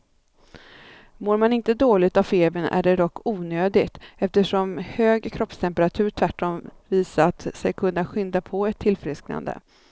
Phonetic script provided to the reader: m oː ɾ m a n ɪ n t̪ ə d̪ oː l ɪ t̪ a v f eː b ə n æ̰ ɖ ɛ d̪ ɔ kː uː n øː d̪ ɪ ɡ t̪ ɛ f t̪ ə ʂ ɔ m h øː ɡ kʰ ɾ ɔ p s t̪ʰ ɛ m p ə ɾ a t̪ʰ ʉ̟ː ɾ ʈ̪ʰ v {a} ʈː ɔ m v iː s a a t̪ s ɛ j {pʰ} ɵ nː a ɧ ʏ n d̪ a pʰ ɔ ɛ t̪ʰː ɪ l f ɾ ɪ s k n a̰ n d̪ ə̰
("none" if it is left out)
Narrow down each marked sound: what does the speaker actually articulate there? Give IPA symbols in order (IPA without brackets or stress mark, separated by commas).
æ, kʰ